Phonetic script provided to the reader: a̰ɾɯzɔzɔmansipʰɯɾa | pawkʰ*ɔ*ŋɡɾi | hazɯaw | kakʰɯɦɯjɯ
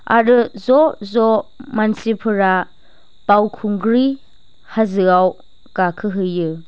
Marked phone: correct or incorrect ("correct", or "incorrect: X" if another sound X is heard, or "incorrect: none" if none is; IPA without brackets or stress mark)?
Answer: incorrect: u